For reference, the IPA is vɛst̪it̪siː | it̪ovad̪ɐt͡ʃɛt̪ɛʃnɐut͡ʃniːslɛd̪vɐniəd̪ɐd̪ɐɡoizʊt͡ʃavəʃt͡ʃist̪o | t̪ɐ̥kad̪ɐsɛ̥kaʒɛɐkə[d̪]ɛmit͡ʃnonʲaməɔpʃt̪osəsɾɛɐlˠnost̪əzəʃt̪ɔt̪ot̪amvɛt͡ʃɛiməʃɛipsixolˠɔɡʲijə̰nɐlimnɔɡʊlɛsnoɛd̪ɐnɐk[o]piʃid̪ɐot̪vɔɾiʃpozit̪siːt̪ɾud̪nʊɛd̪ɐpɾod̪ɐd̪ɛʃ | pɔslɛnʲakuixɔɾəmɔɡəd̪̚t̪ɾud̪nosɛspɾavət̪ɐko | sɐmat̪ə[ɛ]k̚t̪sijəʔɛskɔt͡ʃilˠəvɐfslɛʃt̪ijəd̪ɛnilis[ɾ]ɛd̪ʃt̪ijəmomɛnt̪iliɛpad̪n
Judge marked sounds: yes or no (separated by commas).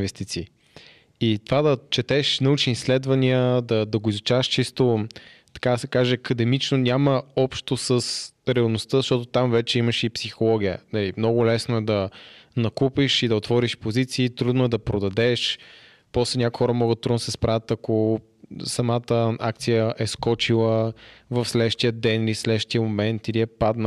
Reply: yes, no, no, no